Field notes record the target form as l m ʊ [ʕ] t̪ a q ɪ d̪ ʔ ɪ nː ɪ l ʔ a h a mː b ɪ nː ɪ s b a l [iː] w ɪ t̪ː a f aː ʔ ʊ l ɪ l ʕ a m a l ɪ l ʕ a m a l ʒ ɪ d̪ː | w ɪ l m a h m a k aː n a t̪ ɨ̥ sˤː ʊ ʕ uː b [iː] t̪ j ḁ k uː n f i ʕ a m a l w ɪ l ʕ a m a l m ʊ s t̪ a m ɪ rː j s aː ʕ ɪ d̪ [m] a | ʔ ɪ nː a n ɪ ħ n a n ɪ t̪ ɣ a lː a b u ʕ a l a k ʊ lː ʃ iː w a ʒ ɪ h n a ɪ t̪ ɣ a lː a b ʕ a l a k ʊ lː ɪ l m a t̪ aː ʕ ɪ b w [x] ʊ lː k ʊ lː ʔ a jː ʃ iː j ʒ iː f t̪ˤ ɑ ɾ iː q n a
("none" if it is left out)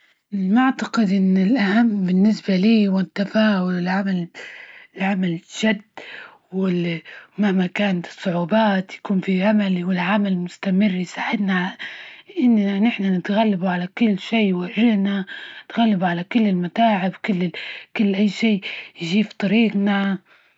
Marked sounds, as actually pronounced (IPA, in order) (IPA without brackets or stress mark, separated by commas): ʕ, iː, aː, n, k